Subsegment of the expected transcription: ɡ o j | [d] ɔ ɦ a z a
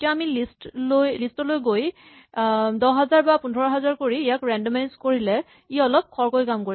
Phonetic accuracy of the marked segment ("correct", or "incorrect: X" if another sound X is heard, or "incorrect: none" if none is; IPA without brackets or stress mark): correct